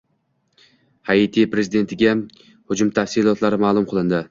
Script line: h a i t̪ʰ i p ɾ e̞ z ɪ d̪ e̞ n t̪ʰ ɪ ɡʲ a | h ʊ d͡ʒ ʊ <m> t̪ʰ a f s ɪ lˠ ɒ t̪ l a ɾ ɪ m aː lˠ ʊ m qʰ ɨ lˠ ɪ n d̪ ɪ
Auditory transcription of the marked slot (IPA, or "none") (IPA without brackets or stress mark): m